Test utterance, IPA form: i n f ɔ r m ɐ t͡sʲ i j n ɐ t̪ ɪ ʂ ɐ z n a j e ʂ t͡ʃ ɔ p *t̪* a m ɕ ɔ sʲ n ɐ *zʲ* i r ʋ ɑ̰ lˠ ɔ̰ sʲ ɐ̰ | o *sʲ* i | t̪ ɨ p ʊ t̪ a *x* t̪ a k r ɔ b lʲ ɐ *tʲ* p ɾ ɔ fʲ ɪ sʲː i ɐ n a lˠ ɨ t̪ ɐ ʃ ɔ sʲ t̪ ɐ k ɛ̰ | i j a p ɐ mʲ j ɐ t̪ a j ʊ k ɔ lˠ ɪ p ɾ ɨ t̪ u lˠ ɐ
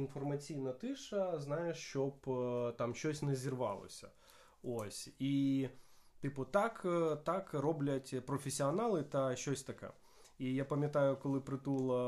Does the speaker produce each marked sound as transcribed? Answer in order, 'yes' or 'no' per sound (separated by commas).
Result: yes, yes, yes, no, yes